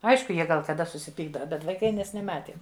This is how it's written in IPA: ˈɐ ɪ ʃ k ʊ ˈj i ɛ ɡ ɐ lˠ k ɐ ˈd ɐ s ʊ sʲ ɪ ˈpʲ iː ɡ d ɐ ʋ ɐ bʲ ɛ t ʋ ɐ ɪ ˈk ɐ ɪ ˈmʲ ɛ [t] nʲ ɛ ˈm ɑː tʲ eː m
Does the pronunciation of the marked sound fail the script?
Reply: yes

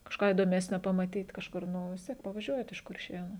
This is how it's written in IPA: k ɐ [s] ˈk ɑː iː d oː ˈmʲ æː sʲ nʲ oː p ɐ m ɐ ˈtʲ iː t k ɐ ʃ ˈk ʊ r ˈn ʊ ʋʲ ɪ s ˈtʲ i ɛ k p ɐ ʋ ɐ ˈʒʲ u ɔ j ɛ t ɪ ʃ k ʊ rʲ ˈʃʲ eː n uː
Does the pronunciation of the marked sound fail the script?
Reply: yes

